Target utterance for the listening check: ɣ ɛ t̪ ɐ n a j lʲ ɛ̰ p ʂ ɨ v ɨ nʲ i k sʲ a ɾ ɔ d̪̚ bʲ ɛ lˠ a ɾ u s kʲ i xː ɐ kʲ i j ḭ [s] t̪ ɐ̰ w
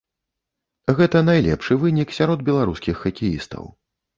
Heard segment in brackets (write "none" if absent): s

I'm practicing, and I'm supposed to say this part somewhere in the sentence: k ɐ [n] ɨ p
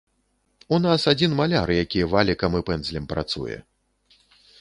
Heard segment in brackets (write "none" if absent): m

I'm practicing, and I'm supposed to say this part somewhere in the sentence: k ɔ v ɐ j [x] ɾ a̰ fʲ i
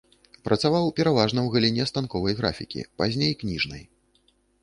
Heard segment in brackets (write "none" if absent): ɣ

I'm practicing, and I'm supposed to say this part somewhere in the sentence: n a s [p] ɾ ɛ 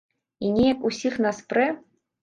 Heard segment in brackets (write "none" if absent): p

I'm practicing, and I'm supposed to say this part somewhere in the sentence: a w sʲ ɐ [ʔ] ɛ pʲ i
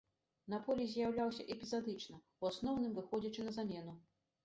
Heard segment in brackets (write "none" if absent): ʔ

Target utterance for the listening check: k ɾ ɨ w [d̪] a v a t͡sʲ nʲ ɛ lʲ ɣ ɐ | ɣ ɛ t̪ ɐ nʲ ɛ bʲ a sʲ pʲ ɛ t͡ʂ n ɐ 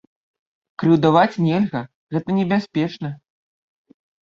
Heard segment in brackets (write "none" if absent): d̪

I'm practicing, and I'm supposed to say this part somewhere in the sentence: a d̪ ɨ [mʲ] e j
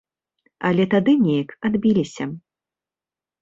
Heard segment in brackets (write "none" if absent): nʲ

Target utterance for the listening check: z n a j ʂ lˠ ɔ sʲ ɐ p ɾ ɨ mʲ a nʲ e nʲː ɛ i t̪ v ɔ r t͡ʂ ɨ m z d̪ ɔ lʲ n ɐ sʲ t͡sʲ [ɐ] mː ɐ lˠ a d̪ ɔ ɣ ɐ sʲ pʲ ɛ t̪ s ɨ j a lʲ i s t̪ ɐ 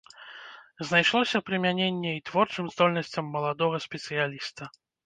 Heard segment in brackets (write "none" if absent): ɐ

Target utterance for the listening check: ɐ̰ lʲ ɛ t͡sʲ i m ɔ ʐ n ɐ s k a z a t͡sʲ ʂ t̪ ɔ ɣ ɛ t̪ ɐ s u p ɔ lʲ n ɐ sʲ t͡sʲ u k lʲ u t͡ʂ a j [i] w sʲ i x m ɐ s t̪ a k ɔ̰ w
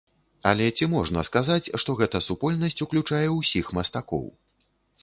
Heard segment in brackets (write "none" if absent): ɛ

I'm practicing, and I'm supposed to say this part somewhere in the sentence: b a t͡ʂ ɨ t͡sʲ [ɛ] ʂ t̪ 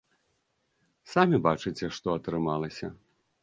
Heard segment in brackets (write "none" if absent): ɛ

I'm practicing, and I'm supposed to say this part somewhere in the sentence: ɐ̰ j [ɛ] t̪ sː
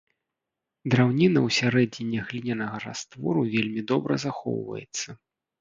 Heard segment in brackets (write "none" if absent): ɛ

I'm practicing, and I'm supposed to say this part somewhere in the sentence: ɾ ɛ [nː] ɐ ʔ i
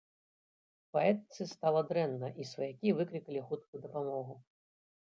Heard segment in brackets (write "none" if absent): nː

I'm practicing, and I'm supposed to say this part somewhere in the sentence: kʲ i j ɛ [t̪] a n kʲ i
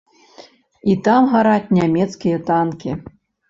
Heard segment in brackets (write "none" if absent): t̪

